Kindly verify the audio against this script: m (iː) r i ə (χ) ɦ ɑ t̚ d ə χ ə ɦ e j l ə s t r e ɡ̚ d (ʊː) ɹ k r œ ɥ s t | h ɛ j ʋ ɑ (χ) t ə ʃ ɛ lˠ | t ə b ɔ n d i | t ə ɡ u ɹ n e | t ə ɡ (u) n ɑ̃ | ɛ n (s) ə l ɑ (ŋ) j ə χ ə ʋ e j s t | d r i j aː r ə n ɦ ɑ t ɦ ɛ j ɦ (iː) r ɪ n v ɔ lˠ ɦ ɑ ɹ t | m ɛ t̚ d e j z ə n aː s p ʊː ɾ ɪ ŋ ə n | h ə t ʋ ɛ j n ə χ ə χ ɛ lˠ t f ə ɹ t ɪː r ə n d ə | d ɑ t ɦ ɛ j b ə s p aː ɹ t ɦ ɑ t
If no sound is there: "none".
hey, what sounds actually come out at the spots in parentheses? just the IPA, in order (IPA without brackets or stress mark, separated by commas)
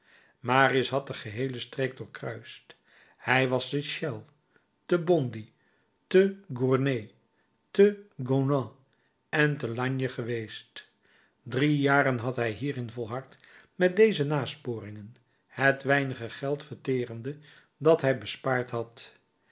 aː, s, ʊː, s, o, t, ɲ, iː